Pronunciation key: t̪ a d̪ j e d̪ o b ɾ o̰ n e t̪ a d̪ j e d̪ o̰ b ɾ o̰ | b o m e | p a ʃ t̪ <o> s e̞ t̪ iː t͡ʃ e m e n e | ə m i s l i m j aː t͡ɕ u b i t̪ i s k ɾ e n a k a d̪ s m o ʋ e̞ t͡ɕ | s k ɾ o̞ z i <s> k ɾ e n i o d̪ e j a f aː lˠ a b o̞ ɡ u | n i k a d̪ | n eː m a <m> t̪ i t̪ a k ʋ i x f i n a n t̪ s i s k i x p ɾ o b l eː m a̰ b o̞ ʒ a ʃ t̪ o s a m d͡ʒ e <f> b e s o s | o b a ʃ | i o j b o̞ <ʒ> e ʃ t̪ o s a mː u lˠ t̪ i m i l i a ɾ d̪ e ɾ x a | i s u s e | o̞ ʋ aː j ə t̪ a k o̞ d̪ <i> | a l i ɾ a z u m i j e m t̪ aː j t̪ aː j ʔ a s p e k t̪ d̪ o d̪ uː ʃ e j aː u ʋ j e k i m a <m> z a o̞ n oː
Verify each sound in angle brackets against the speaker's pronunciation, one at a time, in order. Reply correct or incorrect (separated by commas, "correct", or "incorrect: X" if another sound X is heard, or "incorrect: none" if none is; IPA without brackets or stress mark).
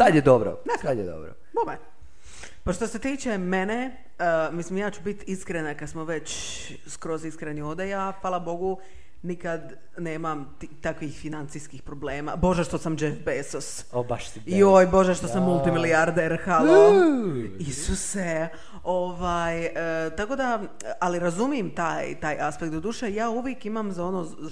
correct, correct, correct, correct, correct, incorrect: a, correct